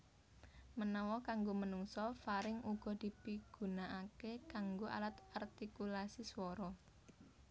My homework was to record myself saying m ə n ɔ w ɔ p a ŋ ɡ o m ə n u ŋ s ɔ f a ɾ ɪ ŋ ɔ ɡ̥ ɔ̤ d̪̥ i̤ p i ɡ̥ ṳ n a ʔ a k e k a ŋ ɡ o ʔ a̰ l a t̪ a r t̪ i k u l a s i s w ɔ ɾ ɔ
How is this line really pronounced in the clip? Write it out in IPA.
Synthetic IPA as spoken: m ə n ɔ w ɔ k a ŋ ɡ o m ə n u ŋ s ɔ f a ɾ ɪ ŋ u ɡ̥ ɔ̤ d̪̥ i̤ p i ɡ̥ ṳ n a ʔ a k e k a ŋ ɡ o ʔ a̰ l a t̪ a r t̪ i k u l a s i s w ɔ ɾ ɔ